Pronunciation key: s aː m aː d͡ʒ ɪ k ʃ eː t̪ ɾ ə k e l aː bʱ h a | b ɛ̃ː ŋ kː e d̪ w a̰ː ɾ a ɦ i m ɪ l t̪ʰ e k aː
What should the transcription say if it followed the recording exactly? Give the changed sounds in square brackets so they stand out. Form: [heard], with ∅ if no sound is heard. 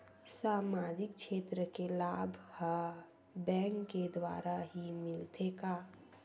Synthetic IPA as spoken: s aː m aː d͡ʒ ɪ k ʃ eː t̪ ɾ ə k e l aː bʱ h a | b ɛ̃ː ŋ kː e d̪ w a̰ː ɾ a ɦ i m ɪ l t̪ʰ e k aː